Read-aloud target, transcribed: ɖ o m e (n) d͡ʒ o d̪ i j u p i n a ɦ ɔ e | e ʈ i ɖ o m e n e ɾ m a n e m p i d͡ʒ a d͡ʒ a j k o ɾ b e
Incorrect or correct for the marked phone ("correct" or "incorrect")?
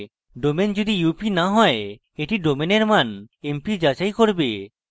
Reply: correct